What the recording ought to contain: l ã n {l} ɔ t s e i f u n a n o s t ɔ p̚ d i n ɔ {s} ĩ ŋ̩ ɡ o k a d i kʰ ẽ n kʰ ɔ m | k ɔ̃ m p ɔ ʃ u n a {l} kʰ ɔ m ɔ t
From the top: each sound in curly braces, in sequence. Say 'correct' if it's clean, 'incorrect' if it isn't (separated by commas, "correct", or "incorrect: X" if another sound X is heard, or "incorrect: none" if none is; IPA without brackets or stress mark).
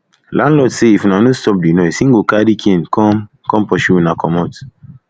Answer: correct, correct, incorrect: none